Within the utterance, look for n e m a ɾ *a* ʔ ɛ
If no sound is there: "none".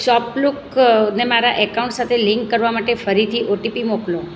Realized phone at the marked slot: a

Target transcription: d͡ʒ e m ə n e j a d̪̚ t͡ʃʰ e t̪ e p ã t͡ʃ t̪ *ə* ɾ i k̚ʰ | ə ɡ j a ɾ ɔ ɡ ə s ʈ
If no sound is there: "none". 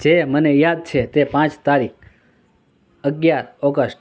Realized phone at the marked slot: a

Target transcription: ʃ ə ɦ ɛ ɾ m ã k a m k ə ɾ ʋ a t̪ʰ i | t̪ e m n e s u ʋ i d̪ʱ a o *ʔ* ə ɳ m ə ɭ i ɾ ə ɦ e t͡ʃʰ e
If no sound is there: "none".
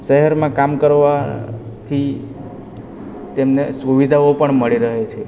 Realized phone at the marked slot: p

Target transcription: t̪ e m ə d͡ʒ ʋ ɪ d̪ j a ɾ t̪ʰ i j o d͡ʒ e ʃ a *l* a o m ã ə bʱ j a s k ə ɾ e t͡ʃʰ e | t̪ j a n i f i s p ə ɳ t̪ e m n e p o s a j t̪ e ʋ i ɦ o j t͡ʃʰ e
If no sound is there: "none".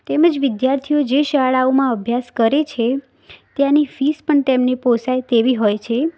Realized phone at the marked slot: ɭ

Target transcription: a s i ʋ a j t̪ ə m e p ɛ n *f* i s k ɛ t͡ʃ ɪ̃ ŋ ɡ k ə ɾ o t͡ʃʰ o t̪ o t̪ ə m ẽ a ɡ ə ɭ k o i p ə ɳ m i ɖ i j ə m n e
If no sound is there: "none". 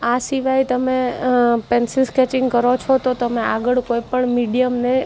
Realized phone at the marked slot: s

